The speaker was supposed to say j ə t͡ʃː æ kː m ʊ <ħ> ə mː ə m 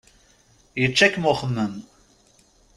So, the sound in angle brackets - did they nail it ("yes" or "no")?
no